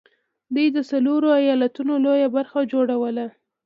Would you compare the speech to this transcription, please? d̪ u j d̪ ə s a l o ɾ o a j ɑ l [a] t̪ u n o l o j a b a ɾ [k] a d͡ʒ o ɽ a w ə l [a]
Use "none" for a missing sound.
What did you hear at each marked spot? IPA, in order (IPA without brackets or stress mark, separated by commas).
a, x, a